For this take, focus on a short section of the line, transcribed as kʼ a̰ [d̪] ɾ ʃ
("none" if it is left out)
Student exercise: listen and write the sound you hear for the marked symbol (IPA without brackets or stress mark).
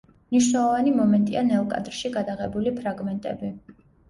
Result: d̪